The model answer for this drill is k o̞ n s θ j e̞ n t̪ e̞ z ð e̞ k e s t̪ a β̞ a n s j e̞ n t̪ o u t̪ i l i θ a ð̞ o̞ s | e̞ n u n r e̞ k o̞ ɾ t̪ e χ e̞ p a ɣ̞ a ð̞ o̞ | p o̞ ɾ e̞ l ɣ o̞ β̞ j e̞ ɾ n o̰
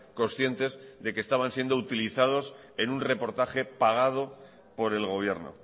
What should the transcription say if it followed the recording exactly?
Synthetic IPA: k o̞ n s θ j e̞ n t̪ e̞ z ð e̞ k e s t̪ a β̞ a n s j e̞ n d̪ o u t̪ i l i θ a ð̞ o̞ s | e̞ n u n r e̞ p o̞ ɾ t̪ a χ e̞ p a ɣ̞ a ð̞ o̞ | p o̞ ɾ e̞ l ɣ o̞ β̞ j e̞ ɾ n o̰